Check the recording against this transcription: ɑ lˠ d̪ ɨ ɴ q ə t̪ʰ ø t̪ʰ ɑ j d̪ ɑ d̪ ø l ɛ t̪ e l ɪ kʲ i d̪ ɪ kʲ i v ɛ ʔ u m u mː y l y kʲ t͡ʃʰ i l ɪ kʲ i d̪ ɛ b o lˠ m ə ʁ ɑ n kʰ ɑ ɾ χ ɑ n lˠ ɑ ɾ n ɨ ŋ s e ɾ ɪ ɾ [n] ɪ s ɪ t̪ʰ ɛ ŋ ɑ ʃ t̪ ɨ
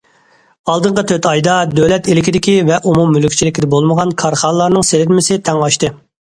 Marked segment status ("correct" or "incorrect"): incorrect